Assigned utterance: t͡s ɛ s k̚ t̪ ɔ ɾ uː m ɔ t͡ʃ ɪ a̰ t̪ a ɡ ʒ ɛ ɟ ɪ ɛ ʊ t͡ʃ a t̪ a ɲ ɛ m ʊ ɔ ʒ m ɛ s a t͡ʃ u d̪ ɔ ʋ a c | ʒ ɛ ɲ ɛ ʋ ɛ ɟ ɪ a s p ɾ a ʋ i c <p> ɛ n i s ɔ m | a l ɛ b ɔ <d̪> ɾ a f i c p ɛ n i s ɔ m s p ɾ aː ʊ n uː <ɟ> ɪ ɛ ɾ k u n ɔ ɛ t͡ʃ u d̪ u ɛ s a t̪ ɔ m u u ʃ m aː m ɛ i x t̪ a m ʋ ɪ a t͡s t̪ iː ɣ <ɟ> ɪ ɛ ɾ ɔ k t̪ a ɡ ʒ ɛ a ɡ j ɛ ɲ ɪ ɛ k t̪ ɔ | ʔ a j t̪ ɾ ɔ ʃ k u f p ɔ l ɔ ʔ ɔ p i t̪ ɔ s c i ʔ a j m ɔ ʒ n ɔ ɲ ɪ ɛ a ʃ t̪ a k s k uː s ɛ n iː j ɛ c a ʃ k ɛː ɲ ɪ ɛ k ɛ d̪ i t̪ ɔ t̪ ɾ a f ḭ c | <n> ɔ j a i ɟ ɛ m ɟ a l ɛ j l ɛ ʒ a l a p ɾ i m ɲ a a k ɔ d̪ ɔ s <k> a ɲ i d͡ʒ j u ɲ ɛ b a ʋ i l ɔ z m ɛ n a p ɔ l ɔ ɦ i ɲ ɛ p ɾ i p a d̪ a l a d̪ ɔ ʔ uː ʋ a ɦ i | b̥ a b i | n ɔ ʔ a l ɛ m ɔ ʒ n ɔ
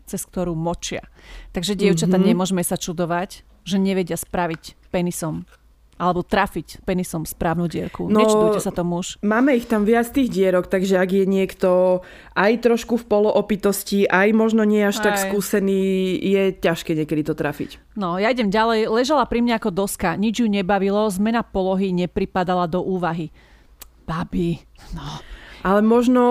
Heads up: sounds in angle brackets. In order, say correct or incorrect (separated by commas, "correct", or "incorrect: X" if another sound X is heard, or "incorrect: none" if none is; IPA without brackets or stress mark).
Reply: correct, incorrect: t̪, correct, correct, correct, correct